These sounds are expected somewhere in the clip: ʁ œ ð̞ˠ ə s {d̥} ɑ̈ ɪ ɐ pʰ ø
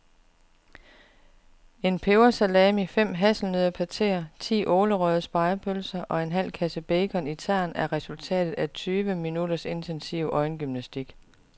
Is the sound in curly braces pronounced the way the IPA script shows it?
no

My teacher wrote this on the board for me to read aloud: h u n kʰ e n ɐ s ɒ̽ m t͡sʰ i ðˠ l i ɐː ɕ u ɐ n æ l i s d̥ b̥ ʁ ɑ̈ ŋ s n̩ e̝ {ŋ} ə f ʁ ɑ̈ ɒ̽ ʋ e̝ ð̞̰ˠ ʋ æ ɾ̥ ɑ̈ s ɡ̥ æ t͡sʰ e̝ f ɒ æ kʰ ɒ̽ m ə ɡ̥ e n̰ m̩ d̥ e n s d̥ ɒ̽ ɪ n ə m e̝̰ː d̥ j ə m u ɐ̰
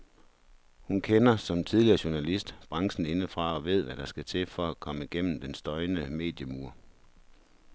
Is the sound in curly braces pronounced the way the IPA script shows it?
no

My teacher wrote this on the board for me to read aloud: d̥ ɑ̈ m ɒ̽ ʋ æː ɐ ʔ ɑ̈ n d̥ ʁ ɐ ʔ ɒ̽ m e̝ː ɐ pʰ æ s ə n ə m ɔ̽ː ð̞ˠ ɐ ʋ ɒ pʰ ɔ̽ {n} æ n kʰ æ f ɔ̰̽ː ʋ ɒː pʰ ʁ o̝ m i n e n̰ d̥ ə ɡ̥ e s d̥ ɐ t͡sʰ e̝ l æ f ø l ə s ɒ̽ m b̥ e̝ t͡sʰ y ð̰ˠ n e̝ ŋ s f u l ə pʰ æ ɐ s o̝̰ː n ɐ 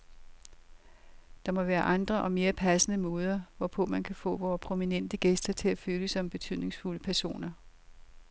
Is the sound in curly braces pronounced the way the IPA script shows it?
no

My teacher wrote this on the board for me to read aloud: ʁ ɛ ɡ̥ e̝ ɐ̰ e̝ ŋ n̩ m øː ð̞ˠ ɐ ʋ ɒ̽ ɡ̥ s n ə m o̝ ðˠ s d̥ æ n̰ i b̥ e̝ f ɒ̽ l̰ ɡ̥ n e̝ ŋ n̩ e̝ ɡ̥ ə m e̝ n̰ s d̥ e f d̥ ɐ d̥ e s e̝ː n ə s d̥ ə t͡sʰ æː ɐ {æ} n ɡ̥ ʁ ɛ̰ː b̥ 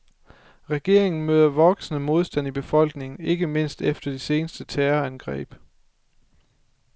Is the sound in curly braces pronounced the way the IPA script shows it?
yes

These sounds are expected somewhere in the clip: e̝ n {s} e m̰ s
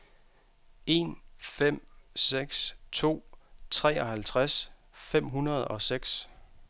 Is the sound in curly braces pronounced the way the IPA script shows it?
no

